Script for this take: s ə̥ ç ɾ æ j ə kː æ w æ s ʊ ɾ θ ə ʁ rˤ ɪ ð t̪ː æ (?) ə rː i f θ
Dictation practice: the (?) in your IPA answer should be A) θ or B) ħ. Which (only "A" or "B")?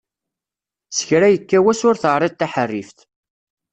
B